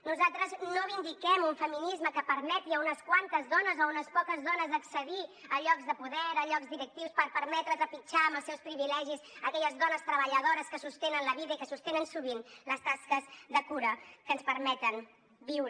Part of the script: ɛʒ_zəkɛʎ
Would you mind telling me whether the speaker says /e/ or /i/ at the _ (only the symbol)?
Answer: i